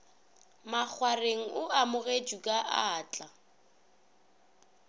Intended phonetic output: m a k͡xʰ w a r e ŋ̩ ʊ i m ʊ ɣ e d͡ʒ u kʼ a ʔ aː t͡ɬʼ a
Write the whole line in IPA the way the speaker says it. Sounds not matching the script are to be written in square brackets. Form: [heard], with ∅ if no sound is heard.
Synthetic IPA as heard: m a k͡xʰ w a r e ŋ̩ ʊ [a] m ʊ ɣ e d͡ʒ u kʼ a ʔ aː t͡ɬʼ a